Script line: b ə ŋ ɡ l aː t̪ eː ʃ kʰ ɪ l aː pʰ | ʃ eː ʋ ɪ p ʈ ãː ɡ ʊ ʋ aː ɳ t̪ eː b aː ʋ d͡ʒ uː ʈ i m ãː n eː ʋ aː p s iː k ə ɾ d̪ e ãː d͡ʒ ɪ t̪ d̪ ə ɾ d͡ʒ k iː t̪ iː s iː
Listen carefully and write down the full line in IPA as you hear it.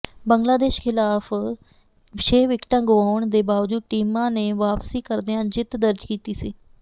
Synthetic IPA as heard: b ə ŋ ɡ l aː d̪ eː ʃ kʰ ɪ l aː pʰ | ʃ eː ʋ ɪ k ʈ ãː ɡ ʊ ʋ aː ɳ d̪ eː b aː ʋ d͡ʒ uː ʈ iː m ãː n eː ʋ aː p s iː k ə ɾ d̪ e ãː d͡ʒ ɪ t̪ d̪ ə ɾ d͡ʒ k iː t̪ iː s iː

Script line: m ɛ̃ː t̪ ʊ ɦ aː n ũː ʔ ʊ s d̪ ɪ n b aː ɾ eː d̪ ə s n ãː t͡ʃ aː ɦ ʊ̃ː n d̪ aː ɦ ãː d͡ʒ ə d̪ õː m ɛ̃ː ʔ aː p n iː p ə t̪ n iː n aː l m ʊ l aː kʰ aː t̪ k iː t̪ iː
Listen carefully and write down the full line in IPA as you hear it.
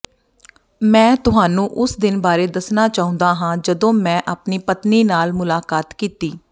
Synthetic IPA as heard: m ɛ̃ː t̪ ʊ ɦ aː n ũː ʔ ʊ s d̪ ɪ n b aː ɾ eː d̪ ə s n aː t͡ʃ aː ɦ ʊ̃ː n d̪ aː ɦ ãː d͡ʒ ə d̪ õː m ɛ̃ː ʔ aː p n iː p ə t̪ n iː n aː l m ʊ l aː k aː t̪ k iː t̪ iː

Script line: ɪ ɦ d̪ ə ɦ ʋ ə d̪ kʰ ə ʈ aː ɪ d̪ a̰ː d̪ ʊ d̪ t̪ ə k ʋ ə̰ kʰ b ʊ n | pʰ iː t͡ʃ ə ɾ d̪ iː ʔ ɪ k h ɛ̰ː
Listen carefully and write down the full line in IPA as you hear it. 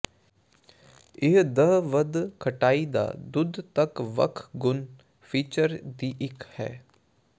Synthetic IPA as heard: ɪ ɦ d̪ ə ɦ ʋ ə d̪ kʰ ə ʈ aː i d̪ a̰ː d̪ ʊ d̪ t̪ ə k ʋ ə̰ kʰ ɡ ʊ n | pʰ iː t͡ʃ ə ɾ d̪ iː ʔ ɪ k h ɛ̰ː

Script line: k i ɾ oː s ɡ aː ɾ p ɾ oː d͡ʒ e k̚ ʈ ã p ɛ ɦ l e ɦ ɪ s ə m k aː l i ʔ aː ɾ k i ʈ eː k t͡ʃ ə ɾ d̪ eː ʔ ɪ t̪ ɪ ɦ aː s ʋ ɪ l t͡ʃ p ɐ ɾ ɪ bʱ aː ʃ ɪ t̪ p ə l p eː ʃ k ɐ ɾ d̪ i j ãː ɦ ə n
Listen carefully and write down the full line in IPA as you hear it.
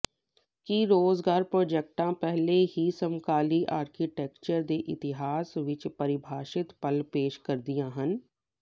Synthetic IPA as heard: k i ɾ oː z ɡ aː ɾ p ɾ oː d͡ʒ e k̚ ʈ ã p ɛ ɦ l e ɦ i s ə m k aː l i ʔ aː ɾ k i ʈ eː k t͡ʃ ə ɾ d̪ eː ʔ ɪ t̪ ɪ ɦ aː s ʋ ɪ t͡ʃ p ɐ ɾ ɪ bʱ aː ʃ ɪ t̪ p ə l p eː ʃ k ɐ ɾ d̪ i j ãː ɦ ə n

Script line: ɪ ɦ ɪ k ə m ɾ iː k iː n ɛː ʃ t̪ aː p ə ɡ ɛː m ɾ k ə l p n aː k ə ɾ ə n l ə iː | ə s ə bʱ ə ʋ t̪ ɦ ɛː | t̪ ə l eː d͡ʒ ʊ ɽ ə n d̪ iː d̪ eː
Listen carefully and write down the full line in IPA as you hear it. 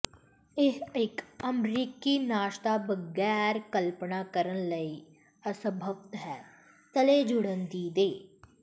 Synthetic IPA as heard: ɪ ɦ ɪ k ə m ɾ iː k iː n aː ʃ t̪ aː b ə ɡ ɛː ɾ k ə l p n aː k ə ɾ ə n l ə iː | ə s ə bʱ ə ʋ t̪ ɦ ɛː | t̪ ə l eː d͡ʒ ʊ ɽ ə n d̪ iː d̪ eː

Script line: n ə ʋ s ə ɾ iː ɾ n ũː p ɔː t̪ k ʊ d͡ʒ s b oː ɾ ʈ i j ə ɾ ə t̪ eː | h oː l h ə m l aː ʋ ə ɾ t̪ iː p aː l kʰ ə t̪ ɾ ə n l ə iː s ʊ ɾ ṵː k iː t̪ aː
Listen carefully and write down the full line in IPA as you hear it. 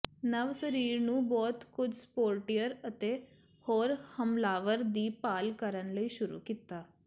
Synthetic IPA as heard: n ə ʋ s ə ɾ iː ɾ n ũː b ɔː t̪ k ʊ d͡ʒ s p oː ɾ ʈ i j ə ɾ ə t̪ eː | h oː ɾ h ə m l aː ʋ ə ɾ d̪ iː p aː l k ə ɾ ə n l ə iː ʃ ʊ ɾ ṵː k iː t̪ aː

